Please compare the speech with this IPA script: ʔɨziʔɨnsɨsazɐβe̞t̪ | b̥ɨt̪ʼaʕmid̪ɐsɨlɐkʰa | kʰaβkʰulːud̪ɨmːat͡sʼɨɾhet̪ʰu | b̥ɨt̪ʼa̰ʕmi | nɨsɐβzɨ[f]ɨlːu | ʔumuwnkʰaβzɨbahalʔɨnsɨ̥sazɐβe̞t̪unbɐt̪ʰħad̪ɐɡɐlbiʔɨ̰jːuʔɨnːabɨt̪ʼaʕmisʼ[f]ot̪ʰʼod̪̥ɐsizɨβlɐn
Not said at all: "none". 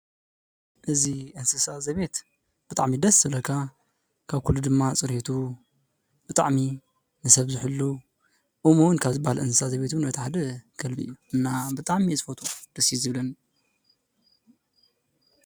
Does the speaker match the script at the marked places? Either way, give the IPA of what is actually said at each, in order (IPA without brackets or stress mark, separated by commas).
ħ, f